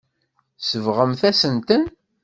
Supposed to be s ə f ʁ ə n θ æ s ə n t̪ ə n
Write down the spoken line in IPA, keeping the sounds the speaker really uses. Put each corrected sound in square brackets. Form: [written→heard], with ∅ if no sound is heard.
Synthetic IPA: s ə [f→v] ʁ ə [n→m] θ æ s ə n t̪ ə n